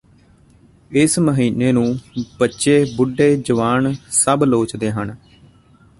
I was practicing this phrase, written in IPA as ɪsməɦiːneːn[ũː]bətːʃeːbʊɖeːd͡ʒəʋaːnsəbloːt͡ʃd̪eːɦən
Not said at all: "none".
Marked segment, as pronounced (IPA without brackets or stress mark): ũː